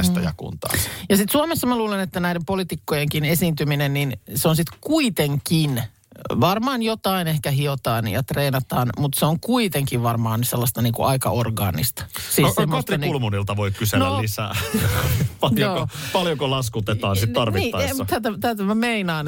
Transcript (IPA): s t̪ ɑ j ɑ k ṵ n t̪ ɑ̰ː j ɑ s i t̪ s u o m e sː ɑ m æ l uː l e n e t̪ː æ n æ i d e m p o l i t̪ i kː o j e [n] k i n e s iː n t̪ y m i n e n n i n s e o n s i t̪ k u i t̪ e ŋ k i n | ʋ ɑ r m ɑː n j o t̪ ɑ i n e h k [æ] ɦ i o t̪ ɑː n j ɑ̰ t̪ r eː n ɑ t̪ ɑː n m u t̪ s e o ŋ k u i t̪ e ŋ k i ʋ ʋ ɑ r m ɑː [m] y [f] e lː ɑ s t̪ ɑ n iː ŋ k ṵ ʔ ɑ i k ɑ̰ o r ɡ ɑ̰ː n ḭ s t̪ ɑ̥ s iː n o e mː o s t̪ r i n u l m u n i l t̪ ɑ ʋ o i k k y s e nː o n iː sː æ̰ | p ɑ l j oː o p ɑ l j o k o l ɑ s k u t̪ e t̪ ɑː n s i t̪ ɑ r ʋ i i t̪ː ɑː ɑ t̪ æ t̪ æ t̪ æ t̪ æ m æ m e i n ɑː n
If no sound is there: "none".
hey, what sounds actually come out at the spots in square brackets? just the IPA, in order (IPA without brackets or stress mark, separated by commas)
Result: ŋ, æ, n, s